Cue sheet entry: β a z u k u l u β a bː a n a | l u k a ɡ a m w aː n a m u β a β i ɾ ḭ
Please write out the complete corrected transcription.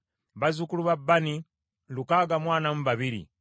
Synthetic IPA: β a z u k u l u β a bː a n i | l u k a ɡ a m w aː n a m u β a β i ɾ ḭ